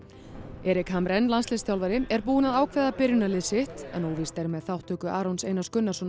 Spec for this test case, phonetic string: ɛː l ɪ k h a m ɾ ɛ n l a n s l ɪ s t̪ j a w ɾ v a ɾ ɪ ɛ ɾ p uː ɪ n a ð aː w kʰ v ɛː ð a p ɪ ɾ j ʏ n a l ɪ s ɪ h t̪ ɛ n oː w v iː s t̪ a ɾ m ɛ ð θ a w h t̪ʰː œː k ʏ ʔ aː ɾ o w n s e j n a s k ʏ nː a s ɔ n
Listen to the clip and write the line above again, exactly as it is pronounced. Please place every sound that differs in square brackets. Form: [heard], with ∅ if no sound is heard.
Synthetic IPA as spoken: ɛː [ɾ] ɪ k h a m ɾ ɛ n l a n s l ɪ s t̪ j a w [l] v a ɾ ɪ ɛ ɾ p uː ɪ n a ð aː w kʰ v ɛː ð a p ɪ ɾ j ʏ n a l ɪ s ɪ h t̪ ɛ n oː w v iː s t̪ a ɾ m ɛ ð θ a w h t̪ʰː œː k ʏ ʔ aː ɾ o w n s e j n a s k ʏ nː a s ɔ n